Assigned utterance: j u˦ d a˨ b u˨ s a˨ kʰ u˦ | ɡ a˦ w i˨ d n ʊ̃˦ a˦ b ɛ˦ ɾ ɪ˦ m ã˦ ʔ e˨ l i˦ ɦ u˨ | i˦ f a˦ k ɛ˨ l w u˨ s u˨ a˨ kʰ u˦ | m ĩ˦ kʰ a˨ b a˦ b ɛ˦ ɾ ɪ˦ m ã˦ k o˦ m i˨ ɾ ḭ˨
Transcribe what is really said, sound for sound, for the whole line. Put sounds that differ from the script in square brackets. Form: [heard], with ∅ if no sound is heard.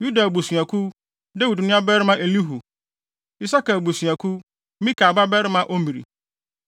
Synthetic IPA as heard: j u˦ d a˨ b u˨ s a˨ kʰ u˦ | [d] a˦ w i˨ d n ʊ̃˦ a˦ b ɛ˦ ɾ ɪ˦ m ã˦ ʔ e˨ l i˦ ɦ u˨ | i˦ [s] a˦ k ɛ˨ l [b] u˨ s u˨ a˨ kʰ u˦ | m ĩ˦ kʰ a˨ b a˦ b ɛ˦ ɾ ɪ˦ m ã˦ [ʔ] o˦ m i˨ ɾ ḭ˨